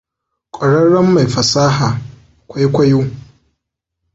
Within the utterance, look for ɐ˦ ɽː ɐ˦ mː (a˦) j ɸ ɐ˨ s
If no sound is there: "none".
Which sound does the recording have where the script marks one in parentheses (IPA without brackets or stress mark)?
a˨